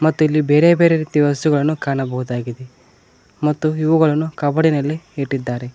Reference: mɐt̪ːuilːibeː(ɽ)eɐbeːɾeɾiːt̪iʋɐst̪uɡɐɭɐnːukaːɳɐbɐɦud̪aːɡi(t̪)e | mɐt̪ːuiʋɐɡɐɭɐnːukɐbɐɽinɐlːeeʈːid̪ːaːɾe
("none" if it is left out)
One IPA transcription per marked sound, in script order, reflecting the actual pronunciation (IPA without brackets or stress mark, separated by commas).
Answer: ɾ, d̪